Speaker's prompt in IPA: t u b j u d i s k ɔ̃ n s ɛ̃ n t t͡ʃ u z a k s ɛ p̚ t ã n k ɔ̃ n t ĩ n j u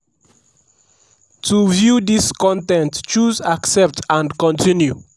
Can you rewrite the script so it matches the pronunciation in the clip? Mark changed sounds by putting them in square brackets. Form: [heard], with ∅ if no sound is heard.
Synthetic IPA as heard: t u [v] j u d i s k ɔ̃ n [t] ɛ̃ n t t͡ʃ u z a k s ɛ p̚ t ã n k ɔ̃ n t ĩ n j u